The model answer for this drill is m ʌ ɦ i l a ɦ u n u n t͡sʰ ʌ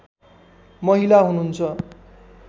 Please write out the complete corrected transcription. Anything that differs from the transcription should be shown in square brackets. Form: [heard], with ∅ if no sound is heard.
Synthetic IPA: m ʌ ɦ i l a ɦ u n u n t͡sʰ ʌ